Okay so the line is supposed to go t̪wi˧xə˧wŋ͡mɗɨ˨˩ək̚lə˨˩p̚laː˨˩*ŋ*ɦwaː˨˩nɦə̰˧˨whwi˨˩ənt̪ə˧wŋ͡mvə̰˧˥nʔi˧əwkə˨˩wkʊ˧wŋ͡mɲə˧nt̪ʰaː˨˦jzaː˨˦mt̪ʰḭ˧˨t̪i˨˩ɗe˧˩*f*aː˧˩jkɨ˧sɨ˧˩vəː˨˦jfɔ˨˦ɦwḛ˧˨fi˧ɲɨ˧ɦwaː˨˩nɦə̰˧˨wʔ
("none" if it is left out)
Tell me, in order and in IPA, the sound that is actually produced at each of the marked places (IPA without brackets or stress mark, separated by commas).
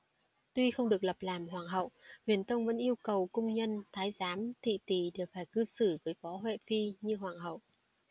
m, f